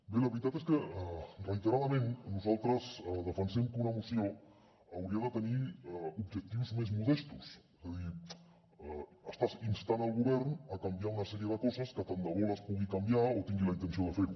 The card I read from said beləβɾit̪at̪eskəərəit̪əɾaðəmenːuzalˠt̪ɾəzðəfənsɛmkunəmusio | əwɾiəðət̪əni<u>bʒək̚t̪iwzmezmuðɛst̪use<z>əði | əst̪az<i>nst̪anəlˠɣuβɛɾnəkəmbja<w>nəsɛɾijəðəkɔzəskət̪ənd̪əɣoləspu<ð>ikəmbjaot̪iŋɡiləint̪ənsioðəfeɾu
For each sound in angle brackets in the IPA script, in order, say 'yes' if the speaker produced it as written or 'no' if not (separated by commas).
yes, yes, yes, no, no